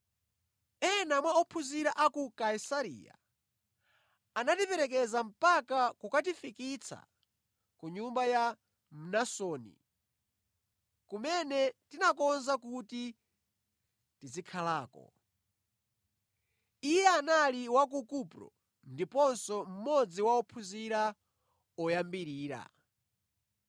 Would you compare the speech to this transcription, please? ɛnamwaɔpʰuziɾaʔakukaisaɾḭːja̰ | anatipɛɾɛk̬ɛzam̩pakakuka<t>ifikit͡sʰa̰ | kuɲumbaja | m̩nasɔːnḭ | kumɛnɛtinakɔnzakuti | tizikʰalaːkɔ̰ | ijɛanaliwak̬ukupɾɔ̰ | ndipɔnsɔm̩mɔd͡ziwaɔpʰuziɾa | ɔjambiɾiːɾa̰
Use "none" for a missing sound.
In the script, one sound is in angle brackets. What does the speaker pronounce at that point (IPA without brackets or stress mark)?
t